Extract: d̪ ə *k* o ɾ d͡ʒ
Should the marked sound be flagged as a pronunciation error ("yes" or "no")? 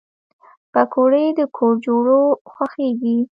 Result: yes